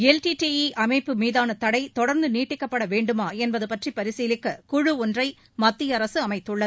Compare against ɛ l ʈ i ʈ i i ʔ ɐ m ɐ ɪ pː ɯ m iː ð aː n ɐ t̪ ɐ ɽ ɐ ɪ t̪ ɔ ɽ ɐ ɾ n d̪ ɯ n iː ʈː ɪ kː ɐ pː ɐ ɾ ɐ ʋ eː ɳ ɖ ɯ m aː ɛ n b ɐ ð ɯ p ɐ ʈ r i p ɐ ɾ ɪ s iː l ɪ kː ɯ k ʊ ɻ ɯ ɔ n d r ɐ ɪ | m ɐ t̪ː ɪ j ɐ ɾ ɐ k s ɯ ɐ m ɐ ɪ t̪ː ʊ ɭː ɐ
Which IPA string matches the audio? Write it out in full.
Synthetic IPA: ɛ l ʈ i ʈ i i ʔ ɐ m ɐ ɪ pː ɯ m iː ð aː n ɐ t̪ ɐ ɽ ɐ ɪ t̪ ɔ ɽ ɐ ɾ n d̪ ɯ n iː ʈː ɪ kː ɐ pː ɐ ɽ ɐ ʋ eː ɳ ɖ ɯ m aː ɛ n b ɐ ð ɯ p ɐ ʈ r i p ɐ ɾ ɪ s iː l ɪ kː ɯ k ʊ ɻ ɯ ɔ n d r ɐ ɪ | m ɐ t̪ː ɪ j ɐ ɾ ɐ s ɯ ɐ m ɐ ɪ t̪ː ɯ ɭː ɐ